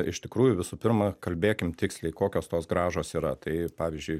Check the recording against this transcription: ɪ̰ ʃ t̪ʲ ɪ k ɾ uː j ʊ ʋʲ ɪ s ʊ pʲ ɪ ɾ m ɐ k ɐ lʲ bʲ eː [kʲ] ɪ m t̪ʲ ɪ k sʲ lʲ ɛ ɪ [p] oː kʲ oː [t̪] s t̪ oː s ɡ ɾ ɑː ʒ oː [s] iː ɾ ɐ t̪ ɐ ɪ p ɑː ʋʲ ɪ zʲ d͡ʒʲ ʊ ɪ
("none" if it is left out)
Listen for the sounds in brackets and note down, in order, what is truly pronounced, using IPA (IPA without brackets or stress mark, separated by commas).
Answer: kʲ, k, none, s